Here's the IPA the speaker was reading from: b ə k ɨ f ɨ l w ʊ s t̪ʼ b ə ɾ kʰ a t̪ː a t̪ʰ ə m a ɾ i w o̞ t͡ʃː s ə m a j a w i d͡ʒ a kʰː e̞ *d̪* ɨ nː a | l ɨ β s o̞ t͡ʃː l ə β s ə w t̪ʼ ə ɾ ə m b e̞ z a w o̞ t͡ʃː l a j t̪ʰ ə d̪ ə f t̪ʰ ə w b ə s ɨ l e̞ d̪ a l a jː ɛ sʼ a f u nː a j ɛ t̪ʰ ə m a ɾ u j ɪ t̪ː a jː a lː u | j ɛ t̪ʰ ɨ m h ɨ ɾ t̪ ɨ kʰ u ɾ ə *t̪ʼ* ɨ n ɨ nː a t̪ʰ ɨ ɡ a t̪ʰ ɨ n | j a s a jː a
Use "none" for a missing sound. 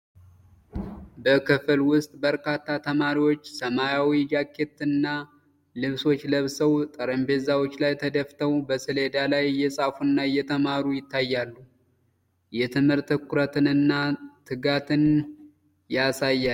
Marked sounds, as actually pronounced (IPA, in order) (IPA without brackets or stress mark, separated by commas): t̪, t̪